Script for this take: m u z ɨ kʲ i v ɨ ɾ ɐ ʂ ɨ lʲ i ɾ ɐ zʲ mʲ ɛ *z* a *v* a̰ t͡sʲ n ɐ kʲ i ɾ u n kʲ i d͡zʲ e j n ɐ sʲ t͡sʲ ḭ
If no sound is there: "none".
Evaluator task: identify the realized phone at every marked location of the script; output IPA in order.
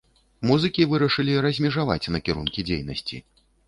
ʐ, v

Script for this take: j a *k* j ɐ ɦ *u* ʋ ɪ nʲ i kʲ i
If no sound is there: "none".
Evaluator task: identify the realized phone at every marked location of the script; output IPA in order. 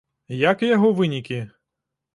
k, ɔ

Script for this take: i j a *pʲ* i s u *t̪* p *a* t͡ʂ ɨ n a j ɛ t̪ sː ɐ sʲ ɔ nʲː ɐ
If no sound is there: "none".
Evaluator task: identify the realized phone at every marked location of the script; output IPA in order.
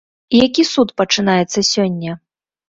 kʲ, t̪, ɐ

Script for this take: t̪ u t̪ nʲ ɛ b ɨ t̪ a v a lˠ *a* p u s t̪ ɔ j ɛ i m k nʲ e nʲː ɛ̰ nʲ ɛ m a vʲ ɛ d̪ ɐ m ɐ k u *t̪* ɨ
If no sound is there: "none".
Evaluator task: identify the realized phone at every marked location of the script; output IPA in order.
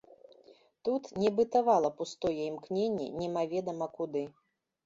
ɐ, d̪

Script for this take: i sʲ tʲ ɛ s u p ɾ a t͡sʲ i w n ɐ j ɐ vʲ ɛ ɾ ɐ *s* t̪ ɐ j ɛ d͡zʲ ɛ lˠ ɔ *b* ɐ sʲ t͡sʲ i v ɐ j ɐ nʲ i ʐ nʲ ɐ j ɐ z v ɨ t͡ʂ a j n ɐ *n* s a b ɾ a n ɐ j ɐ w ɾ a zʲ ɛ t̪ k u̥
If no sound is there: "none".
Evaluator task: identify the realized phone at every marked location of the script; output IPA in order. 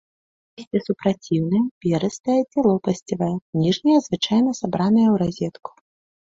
s, p, none

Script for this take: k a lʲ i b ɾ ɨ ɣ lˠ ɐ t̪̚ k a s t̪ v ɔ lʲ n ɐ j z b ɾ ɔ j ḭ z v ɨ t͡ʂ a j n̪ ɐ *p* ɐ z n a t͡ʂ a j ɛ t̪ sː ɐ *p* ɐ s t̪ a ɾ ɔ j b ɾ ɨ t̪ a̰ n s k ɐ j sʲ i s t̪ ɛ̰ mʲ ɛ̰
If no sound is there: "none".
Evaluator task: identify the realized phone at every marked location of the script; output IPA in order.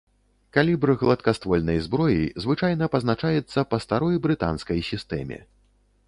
p, p

